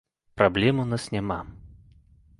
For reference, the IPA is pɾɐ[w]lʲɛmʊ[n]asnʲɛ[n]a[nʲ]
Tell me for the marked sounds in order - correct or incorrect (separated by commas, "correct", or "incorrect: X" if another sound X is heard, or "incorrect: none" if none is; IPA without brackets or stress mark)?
incorrect: b, correct, incorrect: m, incorrect: none